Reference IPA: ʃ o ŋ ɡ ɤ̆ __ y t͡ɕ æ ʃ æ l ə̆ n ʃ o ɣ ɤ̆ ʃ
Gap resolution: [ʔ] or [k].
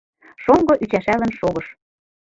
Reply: ʔ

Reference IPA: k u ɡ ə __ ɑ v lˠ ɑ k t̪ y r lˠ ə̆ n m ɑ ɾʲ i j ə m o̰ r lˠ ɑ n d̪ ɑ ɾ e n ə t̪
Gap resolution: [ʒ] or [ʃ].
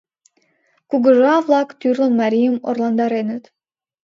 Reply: ʒ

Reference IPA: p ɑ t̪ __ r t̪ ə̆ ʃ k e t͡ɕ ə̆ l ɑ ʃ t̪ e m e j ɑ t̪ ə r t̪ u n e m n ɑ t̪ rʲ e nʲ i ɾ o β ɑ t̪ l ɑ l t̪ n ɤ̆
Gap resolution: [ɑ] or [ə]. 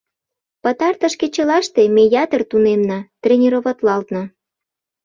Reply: ɑ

